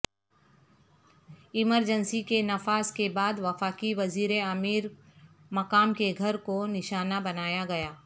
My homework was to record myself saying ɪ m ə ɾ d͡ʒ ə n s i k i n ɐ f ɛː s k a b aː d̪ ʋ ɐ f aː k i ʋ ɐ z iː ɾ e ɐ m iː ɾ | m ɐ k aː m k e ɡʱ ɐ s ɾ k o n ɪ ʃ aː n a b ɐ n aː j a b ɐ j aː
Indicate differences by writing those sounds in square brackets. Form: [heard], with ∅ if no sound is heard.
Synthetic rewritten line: ɪ m ə ɾ d͡ʒ ə n s i k [e] n ɐ f [aː] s k [e] b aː d̪ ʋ ɐ f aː k i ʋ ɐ z iː ɾ e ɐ m iː ɾ | m ɐ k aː m k e ɡʱ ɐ [∅] ɾ k o n ɪ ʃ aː n a b ɐ n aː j a [ɡ] ɐ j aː